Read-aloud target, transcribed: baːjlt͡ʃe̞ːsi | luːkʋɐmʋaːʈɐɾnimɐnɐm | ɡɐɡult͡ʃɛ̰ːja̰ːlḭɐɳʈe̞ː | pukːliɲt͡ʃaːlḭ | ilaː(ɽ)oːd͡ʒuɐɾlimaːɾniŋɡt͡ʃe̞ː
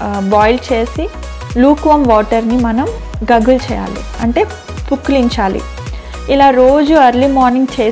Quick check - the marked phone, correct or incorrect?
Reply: incorrect